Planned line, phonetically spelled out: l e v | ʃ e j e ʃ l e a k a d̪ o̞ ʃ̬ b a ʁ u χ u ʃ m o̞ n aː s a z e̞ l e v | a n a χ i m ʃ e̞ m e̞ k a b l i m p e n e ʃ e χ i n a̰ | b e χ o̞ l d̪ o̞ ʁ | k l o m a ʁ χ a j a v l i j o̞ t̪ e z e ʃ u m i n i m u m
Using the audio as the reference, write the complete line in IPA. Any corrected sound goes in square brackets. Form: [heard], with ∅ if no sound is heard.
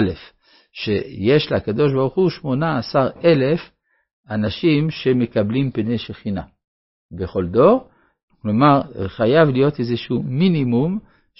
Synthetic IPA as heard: l e [f] | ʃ e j e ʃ l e a k a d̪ o̞ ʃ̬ b a ʁ u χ u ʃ m o̞ n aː s a [ʁ] e̞ l e [f] | a n a [ʃ] i m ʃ e̞ m e̞ k a b l i m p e n e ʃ e χ i n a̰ | b e χ o̞ l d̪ o̞ ʁ | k l o m a ʁ χ a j a v l i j o̞ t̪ e z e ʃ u m i n i m u m